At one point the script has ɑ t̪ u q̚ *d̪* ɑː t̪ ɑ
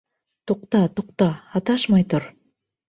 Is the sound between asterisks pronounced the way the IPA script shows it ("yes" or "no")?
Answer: no